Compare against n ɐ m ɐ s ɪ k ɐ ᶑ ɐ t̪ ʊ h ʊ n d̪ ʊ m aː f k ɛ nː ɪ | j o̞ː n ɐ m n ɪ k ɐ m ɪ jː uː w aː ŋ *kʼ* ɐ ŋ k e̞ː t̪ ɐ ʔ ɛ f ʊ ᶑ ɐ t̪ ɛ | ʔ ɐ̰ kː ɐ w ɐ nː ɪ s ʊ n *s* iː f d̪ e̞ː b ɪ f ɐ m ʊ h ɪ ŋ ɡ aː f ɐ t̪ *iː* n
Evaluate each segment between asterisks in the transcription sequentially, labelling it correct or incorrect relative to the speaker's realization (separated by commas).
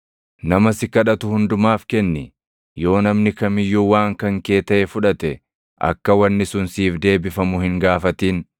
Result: incorrect, correct, correct